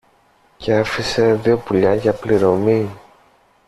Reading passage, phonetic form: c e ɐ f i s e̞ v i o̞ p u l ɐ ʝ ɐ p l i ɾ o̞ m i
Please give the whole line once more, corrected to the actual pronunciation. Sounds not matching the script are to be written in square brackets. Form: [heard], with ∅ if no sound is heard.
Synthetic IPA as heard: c e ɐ f i s e̞ [ð] i o̞ p u [ʎ] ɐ ʝ ɐ p l i ɾ o̞ m i